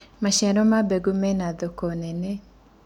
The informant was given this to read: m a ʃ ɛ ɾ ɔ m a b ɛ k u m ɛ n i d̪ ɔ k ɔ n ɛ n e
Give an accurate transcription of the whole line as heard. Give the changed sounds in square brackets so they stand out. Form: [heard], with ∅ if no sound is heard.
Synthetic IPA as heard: m a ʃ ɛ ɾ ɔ m a b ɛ [ɡ] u m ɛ n [a] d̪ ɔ k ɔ n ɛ n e